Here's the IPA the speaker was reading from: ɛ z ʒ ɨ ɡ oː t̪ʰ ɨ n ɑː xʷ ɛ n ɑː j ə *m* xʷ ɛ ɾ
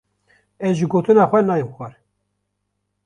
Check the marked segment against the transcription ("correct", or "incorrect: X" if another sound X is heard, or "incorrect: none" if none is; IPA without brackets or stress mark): correct